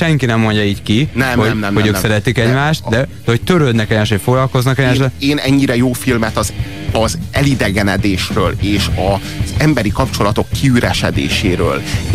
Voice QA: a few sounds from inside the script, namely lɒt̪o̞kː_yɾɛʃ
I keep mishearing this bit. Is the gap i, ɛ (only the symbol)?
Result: i